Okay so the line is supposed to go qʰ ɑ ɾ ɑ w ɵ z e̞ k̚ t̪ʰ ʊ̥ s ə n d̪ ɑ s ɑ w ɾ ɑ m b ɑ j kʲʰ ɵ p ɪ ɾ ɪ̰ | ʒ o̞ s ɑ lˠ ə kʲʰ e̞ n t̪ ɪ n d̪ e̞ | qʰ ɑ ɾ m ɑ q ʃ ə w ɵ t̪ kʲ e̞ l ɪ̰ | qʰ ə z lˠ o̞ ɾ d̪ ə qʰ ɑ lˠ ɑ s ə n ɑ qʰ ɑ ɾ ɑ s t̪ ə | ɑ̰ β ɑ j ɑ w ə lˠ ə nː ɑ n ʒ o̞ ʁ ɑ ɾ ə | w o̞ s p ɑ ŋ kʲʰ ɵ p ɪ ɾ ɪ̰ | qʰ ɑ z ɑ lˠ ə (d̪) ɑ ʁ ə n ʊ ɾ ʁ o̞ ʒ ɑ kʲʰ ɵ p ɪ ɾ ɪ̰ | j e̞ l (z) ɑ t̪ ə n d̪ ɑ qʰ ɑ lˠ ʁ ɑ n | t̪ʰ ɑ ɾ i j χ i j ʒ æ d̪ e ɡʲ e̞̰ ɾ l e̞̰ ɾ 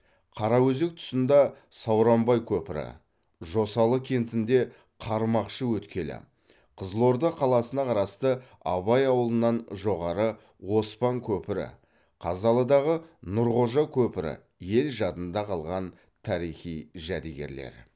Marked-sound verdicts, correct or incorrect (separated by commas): correct, incorrect